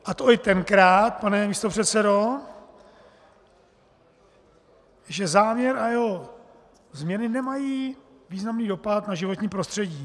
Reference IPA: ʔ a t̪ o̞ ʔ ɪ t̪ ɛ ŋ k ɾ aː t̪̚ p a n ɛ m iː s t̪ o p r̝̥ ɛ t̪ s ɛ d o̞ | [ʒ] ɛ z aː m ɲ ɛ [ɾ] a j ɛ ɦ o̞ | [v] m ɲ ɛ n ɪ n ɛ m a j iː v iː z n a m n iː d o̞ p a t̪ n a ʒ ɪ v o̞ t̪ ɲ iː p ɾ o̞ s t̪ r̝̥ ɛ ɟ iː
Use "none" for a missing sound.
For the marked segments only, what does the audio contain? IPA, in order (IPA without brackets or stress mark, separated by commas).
ʒ, ɾ, z